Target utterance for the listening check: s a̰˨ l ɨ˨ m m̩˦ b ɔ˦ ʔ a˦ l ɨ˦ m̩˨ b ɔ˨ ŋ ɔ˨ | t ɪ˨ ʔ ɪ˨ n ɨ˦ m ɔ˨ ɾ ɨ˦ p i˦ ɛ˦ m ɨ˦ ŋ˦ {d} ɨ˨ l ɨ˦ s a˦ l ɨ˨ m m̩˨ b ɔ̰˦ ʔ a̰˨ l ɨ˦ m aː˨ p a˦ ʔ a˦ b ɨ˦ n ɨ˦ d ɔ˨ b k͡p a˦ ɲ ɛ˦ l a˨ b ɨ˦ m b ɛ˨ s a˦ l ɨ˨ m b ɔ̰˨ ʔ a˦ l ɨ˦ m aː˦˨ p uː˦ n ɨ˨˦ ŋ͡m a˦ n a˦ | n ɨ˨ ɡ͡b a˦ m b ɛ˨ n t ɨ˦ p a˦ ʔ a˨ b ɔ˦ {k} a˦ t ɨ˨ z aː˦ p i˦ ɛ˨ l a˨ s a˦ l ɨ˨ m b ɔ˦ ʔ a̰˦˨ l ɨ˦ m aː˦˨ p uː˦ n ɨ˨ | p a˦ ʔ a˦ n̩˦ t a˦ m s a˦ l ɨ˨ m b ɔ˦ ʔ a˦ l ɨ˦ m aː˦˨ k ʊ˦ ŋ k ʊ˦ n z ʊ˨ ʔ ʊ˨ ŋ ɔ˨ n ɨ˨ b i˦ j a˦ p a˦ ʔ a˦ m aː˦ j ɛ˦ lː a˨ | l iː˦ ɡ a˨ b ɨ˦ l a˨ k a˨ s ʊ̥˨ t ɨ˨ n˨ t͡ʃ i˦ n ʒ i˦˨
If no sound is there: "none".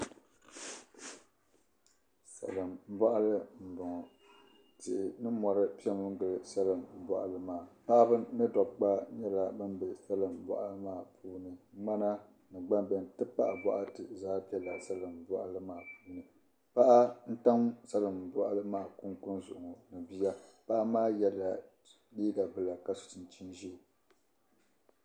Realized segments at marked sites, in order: ɡ, ʔ

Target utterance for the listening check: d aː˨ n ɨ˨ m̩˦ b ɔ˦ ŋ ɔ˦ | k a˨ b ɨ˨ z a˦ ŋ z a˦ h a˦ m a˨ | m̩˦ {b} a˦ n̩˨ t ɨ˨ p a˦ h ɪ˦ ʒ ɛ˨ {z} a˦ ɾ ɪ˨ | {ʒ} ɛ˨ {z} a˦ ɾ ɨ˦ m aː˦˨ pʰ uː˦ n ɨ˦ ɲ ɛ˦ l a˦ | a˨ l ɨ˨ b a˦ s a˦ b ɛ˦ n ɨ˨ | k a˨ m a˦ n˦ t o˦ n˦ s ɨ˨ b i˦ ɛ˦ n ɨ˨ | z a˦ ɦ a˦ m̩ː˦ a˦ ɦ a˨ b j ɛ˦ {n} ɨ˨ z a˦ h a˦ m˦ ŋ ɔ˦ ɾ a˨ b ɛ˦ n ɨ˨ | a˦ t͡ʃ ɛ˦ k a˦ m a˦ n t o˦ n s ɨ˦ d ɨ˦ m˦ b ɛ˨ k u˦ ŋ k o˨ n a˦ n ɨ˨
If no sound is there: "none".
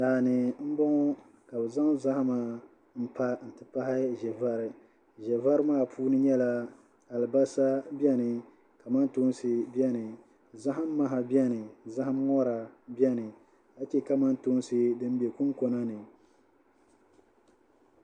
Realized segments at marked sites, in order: p, v, ʒ, v, n

